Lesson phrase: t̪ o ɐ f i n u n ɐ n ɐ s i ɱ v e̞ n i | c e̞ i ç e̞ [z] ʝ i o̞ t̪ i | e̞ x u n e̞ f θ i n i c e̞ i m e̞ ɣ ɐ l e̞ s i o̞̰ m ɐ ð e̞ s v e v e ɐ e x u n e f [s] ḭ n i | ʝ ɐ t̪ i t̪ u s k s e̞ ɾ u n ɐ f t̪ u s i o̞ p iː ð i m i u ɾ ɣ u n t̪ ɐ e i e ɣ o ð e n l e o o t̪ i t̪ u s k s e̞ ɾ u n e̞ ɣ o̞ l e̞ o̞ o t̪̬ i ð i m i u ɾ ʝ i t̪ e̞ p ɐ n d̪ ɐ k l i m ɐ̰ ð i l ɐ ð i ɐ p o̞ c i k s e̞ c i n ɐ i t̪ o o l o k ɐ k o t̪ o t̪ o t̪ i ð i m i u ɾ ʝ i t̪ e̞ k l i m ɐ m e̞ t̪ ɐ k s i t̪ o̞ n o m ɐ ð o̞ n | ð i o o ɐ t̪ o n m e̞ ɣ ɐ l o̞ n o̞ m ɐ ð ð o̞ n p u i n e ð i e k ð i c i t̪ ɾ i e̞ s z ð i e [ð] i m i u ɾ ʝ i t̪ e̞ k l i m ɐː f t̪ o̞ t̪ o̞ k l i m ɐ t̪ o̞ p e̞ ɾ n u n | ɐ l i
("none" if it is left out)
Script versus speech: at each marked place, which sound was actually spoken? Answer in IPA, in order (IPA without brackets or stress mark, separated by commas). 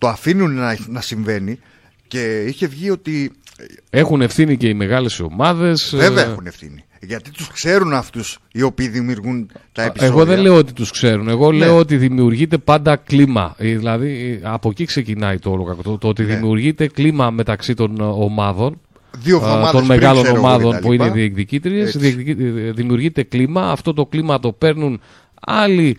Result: v, θ, ð